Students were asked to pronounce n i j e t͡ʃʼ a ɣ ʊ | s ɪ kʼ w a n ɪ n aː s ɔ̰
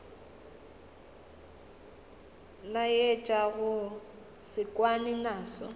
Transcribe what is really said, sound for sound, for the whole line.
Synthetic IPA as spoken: n a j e t͡ʃʼ a ɣ ʊ | s ɪ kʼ w a n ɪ n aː s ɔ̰